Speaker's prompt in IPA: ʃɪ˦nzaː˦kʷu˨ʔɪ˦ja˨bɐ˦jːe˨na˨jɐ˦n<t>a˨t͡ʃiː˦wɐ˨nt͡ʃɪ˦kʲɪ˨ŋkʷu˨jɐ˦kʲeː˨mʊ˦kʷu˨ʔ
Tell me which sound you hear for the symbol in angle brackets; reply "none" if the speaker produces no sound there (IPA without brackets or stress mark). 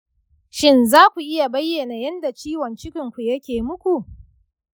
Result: d